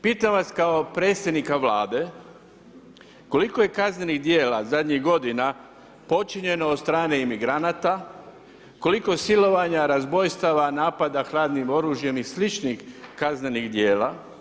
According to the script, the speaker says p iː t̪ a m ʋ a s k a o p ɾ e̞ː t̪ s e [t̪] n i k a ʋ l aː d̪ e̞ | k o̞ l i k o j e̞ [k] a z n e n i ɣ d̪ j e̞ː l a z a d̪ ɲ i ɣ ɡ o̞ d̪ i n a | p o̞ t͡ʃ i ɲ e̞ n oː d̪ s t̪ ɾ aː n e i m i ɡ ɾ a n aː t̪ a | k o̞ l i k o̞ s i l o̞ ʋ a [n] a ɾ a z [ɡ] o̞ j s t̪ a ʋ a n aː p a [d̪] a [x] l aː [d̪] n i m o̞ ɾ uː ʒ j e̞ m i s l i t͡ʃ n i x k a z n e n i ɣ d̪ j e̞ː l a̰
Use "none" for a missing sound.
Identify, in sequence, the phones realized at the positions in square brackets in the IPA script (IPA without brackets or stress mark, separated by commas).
d̪, k, ɲ, b, d̪, x, d̪